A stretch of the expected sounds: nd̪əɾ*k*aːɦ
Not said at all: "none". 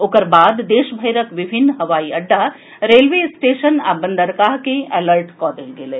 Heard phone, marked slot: k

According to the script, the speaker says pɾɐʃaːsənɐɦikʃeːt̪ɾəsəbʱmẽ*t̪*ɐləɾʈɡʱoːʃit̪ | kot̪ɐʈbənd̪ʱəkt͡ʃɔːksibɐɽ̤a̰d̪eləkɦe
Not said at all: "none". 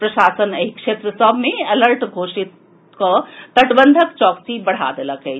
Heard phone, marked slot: none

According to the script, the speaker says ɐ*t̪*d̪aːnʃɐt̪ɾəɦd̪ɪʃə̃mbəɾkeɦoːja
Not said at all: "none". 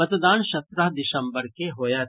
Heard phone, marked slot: t̪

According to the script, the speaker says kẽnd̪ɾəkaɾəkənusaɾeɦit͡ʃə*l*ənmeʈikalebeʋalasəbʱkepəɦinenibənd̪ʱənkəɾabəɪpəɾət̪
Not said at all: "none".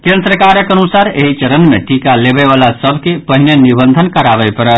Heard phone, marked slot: ɾ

